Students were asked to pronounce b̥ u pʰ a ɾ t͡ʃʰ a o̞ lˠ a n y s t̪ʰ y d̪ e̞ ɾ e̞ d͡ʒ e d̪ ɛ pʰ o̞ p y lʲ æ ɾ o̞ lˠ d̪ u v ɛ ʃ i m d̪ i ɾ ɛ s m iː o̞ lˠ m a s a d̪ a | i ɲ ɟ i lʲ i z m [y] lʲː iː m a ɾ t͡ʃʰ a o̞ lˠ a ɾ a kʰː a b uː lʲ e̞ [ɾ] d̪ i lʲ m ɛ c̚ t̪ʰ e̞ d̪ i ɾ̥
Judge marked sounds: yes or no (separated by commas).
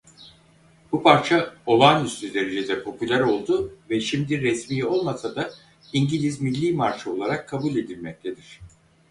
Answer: no, no